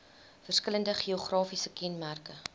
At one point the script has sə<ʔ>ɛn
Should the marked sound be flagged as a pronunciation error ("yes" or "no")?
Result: yes